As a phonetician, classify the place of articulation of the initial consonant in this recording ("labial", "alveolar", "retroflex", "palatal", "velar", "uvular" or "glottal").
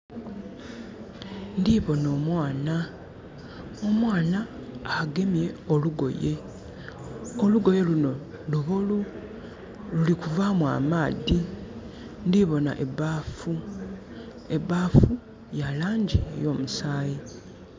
alveolar